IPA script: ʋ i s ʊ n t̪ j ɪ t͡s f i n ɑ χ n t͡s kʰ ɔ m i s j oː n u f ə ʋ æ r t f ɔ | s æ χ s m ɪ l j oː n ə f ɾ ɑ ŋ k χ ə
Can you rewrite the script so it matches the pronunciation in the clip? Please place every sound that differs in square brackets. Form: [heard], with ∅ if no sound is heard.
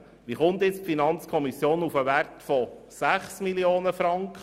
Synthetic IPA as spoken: ʋ i [χ] ʊ n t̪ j ɪ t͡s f i n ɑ [∅] n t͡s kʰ ɔ m i s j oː n u f ə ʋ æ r t f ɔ | s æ χ s m [i] l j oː n ə f ɾ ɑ ŋ k χ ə